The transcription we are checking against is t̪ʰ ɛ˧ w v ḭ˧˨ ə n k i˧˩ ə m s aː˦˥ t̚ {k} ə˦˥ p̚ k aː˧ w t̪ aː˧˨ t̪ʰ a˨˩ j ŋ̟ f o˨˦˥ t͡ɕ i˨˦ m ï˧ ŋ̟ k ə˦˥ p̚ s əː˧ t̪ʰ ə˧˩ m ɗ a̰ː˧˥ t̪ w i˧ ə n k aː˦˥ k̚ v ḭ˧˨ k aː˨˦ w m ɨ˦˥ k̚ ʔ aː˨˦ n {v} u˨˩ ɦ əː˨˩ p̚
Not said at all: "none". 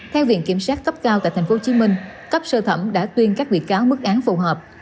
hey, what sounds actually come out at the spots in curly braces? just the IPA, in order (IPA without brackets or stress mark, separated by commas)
k, f